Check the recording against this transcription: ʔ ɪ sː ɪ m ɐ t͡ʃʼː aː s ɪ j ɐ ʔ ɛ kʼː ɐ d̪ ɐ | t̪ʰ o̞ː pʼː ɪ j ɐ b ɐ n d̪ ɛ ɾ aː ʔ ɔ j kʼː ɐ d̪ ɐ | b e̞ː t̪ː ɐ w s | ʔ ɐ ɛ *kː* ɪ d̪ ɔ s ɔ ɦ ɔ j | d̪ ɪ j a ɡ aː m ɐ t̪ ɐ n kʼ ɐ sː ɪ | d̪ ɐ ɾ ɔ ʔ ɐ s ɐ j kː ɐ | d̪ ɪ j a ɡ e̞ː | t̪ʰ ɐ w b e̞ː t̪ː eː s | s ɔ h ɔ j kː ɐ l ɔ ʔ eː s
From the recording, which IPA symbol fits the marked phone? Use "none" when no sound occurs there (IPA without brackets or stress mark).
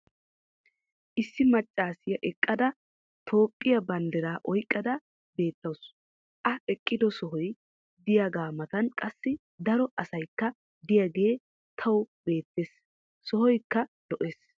kʼː